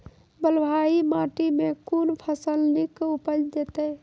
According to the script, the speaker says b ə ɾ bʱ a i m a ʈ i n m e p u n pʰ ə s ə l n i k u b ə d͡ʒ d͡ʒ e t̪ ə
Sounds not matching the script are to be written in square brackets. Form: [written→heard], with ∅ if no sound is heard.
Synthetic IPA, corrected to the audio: b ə [ɾ→l] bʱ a i m a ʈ i [n→∅] m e [p→k] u n pʰ ə s ə l n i k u [b→p] ə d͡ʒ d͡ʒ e t̪ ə